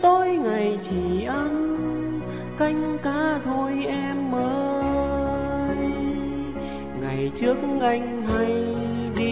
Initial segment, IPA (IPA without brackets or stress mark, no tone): t̪